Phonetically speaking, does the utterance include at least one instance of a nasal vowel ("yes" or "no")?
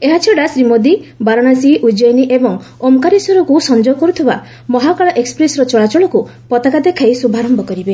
no